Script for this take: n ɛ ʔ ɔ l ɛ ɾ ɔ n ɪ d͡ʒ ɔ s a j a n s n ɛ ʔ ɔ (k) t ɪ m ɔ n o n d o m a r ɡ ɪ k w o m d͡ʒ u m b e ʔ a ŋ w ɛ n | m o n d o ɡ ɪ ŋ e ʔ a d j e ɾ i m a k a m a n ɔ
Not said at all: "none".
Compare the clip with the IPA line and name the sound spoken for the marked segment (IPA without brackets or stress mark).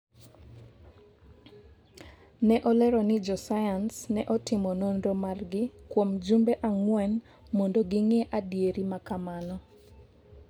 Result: none